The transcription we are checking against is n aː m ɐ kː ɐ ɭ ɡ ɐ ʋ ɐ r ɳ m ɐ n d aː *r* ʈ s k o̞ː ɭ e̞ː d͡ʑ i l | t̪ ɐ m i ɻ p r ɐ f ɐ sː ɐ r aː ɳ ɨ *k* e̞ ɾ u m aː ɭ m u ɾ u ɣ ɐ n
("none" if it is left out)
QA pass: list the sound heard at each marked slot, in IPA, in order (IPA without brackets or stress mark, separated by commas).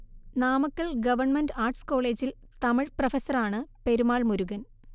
r, p